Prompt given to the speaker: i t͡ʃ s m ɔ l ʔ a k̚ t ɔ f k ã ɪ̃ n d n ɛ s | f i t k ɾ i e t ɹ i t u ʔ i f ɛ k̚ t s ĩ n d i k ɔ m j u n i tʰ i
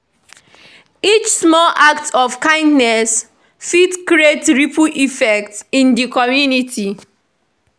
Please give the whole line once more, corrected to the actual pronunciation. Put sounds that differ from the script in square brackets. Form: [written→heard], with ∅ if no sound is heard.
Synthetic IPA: i t͡ʃ s m ɔ l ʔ a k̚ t ɔ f k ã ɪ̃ n d n ɛ s | f i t k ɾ i e t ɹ i [t→p] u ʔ i f ɛ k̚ t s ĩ n d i k ɔ m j u n i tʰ i